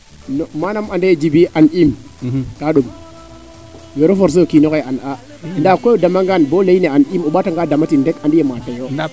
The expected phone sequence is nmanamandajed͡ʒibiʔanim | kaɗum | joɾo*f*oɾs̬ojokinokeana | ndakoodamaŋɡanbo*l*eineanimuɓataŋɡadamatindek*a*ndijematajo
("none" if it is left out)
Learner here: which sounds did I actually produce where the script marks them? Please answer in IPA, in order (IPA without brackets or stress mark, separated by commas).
f, l, a